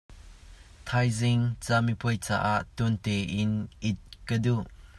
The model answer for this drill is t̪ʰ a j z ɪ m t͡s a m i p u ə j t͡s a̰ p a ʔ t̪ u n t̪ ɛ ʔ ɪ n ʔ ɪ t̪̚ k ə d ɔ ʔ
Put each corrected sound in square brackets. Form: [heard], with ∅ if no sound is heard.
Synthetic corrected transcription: t̪ʰ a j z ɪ [ŋ] t͡s a m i p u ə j t͡s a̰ [ʔ] a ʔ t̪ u n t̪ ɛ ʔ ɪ n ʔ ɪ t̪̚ k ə d [u] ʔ